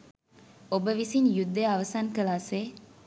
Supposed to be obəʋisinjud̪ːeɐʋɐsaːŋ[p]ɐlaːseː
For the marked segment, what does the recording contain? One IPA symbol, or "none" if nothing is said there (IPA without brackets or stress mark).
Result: k